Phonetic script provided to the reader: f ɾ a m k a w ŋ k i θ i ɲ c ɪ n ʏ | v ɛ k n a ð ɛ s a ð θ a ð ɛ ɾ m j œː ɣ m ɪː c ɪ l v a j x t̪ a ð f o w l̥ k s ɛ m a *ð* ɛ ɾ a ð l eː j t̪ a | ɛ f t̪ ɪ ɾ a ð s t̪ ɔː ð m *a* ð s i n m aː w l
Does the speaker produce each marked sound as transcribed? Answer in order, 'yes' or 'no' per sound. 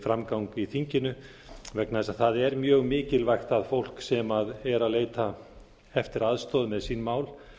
yes, no

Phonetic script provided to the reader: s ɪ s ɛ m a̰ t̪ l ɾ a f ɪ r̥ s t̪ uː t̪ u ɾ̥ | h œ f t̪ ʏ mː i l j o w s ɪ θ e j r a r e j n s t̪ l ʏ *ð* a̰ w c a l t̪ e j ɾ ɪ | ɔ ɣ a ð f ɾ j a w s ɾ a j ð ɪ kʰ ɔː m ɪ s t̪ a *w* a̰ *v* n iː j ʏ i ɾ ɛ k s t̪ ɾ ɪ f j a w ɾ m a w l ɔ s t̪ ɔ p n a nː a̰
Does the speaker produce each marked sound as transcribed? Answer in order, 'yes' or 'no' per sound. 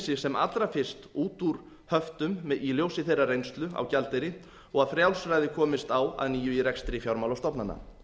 no, yes, no

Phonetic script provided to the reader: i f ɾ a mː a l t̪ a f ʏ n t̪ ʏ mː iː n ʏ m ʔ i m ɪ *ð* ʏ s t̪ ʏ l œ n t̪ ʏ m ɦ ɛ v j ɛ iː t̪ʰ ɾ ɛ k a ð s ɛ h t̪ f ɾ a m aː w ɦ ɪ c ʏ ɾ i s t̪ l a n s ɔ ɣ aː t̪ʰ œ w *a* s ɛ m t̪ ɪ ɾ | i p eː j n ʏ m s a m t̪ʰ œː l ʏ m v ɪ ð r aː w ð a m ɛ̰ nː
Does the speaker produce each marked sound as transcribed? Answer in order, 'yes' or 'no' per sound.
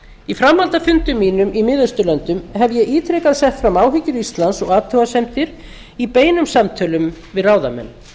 yes, yes

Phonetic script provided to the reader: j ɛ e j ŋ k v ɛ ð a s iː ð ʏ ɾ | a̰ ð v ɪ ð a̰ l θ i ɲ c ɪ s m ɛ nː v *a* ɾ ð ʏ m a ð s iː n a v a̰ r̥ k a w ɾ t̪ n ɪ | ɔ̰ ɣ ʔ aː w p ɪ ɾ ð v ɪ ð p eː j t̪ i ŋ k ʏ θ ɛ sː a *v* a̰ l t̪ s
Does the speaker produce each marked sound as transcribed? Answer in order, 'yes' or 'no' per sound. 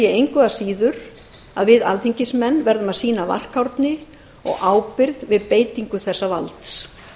no, yes

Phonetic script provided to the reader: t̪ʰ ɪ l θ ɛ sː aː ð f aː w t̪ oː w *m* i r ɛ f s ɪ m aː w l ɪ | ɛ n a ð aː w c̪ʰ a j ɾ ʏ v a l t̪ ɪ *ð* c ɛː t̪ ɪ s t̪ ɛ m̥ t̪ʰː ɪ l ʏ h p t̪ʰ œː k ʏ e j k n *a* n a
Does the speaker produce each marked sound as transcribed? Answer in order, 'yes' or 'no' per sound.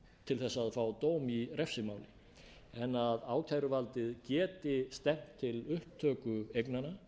yes, yes, yes

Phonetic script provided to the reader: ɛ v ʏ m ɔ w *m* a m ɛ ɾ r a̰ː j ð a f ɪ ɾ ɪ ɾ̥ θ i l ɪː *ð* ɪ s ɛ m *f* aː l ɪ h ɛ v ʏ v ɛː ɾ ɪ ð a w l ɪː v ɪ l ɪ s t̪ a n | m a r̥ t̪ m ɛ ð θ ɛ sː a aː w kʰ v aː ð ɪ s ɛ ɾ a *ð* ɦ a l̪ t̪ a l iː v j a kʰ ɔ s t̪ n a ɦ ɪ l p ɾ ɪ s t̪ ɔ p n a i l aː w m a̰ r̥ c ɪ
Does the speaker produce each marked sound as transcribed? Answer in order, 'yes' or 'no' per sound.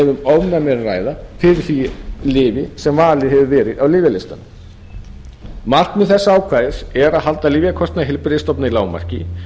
no, no, no, yes

